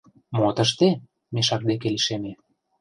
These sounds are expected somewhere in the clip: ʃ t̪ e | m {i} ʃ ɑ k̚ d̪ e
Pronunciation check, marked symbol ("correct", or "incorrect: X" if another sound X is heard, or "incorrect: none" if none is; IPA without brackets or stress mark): incorrect: e